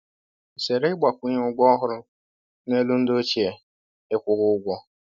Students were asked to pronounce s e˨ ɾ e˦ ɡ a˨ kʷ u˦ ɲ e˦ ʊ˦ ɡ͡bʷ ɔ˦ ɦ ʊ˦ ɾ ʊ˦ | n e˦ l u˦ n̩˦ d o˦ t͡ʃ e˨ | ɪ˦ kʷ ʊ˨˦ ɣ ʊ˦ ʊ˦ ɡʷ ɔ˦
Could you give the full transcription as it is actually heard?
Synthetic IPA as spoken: s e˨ ɾ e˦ ɡ͡b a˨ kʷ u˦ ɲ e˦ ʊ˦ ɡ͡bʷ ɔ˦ ɦ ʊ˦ ɾ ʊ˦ | n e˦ l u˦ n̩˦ d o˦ t͡ʃ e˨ | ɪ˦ kʷ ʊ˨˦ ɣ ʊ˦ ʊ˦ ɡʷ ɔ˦